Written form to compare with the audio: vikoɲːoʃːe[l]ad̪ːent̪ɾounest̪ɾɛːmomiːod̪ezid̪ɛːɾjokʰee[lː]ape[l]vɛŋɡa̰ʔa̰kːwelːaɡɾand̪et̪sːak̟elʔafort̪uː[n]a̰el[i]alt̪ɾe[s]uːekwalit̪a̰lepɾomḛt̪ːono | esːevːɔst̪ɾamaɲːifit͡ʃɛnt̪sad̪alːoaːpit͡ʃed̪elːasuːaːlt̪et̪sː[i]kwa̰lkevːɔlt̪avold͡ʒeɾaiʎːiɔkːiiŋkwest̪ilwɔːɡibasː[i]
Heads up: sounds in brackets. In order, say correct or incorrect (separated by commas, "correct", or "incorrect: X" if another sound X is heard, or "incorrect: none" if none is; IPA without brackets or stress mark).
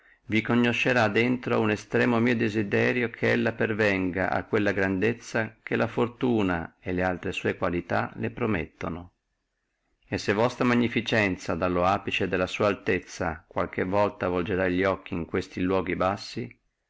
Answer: incorrect: ɾ, correct, incorrect: r, correct, incorrect: e, correct, incorrect: a, correct